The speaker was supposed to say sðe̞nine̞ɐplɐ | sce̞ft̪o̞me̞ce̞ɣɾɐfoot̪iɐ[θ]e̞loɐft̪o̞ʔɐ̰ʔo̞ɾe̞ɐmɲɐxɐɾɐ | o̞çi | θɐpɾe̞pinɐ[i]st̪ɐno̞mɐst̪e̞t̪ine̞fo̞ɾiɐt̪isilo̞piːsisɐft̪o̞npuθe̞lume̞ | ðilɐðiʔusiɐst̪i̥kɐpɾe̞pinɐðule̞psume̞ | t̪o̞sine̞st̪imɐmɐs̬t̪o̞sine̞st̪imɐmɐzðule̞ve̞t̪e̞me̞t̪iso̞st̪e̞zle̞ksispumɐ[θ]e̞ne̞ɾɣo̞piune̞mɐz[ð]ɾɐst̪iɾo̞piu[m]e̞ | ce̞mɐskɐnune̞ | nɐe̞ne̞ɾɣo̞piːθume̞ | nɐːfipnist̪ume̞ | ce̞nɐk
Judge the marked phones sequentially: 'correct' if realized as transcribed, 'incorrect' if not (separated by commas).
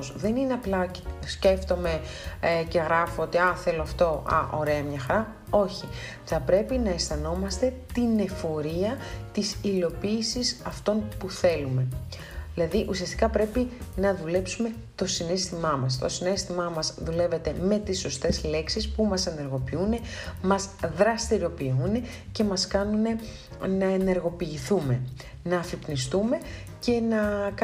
correct, incorrect, incorrect, correct, incorrect